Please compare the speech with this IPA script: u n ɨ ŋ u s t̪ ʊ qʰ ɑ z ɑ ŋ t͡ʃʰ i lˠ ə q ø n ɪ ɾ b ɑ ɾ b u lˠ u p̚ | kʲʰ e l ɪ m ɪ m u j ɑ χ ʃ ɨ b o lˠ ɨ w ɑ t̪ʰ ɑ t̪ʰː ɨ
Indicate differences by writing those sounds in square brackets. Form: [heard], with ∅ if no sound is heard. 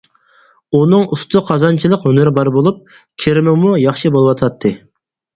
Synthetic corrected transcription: u n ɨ ŋ u s t̪ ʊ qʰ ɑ z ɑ [n] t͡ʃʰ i lˠ ə q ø n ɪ ɾ b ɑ ɾ b [o] lˠ u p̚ | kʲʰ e [ɾ] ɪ m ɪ m u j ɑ χ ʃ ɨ b o lˠ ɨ w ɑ t̪ʰ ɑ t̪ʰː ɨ

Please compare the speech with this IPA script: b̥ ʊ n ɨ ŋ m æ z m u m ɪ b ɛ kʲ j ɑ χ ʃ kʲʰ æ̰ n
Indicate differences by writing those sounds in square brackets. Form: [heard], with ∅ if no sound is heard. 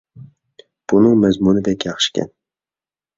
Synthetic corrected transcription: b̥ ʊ n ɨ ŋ m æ z m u [n] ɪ b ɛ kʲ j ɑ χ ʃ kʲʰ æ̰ n

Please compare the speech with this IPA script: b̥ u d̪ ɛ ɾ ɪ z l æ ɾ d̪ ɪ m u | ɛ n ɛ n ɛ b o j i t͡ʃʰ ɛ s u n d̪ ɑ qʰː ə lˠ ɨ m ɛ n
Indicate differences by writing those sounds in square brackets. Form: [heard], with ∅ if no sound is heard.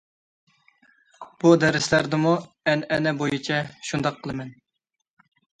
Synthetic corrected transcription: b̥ u d̪ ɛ ɾ ɪ [s] l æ ɾ d̪ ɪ m u | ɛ n ɛ n ɛ b o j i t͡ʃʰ ɛ [ʃ] u n d̪ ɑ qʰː ə lˠ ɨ m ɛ n

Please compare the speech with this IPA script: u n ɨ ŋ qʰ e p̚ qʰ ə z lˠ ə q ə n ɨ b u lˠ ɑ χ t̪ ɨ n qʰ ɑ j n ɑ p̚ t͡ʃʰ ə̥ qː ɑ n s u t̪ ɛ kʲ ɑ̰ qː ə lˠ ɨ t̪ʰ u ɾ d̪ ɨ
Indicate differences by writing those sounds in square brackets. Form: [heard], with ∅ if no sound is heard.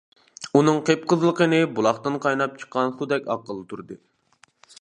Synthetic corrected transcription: u n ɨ ŋ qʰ e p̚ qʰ ə z lˠ ə q ə n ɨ b u lˠ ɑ χ t̪ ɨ n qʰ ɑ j n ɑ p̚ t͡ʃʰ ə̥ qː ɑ n s u [d̪] ɛ kʲ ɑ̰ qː ə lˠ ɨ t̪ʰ u ɾ d̪ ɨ

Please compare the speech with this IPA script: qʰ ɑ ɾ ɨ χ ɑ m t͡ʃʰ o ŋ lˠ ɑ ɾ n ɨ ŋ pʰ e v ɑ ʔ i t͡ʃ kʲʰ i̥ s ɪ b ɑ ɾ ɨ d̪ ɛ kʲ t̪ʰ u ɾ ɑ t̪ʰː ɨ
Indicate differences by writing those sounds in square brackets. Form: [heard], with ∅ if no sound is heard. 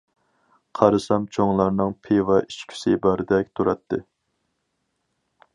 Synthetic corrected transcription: qʰ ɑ ɾ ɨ [s] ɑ m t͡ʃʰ o ŋ lˠ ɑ ɾ n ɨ ŋ pʰ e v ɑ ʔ i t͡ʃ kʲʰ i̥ s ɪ b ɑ ɾ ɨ d̪ ɛ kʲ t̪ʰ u ɾ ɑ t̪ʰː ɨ

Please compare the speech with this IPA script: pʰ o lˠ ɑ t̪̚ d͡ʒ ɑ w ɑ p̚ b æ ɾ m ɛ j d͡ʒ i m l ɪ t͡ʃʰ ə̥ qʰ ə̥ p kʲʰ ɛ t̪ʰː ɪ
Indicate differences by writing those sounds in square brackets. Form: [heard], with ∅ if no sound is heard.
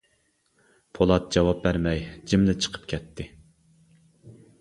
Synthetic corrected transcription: pʰ o lˠ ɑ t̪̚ d͡ʒ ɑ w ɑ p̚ b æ ɾ m ɛ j d͡ʒ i m l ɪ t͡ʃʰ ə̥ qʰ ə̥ p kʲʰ ɛ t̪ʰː ɪ

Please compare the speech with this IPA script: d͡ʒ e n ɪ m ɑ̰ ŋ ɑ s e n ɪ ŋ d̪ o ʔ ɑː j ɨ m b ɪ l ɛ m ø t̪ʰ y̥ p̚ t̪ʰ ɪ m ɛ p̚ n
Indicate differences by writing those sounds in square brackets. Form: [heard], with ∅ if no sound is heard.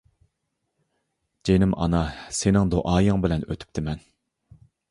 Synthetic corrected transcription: d͡ʒ e n ɪ m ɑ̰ [n] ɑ s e n ɪ ŋ d̪ o ʔ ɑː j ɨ [ŋ] b ɪ l ɛ [n] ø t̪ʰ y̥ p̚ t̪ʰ ɪ m ɛ [∅] n

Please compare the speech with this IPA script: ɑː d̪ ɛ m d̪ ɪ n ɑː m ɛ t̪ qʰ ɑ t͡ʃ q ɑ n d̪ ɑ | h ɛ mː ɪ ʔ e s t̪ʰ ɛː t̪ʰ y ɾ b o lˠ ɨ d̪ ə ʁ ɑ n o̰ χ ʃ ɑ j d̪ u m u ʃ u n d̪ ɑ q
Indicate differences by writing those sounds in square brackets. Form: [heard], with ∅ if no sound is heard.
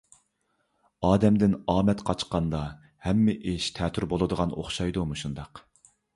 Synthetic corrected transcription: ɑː d̪ ɛ m d̪ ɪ n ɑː m ɛ t̪ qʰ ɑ t͡ʃ q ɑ n d̪ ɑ | h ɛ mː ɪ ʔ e [ʃ] t̪ʰ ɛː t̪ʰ y ɾ b o lˠ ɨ d̪ ə ʁ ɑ n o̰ χ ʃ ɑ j d̪ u m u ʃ u n d̪ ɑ q

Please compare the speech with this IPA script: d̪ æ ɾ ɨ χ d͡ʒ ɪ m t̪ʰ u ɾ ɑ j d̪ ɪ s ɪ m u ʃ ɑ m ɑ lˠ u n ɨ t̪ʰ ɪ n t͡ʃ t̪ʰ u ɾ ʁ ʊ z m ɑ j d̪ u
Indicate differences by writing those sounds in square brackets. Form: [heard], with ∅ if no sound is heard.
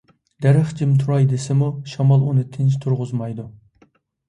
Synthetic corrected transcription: d̪ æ ɾ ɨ χ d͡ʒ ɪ m t̪ʰ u ɾ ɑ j d̪ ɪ s ɪ m u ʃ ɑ m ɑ lˠ u n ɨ t̪ʰ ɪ n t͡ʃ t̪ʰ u ɾ ʁ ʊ z m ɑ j d̪ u

